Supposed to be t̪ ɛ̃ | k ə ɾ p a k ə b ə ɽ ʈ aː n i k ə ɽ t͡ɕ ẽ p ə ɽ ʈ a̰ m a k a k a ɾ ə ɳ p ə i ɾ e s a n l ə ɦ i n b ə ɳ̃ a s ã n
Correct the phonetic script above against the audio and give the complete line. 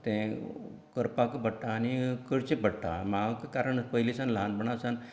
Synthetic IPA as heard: t̪ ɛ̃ | k ə ɾ p a k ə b ə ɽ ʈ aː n i k ə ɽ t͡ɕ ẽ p ə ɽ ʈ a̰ m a k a k a ɾ ə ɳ p ə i l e s a n l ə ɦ a n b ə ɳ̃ a s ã n

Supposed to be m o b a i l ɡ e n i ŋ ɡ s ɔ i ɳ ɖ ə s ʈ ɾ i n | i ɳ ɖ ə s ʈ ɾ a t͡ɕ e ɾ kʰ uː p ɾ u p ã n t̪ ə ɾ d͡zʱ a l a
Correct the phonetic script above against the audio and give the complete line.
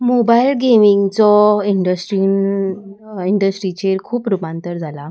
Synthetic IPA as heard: m o b a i l ɡ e m i ŋ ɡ t͡s ɔ i ɳ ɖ ə s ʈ ɾ i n | i ɳ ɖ ə s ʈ ɾ i t͡ɕ e ɾ kʰ uː p ɾ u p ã n t̪ ə ɾ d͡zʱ a l a

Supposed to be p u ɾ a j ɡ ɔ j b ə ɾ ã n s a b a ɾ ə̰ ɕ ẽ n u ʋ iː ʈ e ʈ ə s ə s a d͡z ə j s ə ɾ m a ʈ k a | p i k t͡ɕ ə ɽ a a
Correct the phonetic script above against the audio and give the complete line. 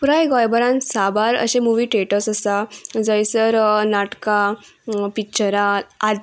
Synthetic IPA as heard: p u ɾ a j ɡ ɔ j b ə ɾ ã n s a b a ɾ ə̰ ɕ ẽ m u ʋ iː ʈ e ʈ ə s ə s a d͡z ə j s ə ɾ n a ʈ k a | p i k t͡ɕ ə ɾ a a

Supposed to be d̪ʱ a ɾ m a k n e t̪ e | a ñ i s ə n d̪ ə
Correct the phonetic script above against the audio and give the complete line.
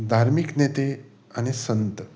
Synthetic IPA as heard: d̪ʱ a ɾ m i k n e t̪ e | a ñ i s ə n t̪ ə

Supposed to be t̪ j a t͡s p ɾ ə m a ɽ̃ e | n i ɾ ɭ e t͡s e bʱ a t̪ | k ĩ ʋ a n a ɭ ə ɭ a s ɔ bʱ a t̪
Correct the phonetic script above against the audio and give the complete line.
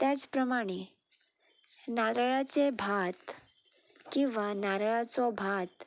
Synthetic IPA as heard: t̪ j a t͡s p ɾ ə m a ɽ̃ e | n a ɾ ɭ a t͡s e bʱ a t̪ | k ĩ ʋ a n a ɾ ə ɭ a t͡s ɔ bʱ a t̪

